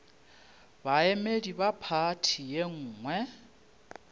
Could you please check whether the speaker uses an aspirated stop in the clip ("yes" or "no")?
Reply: yes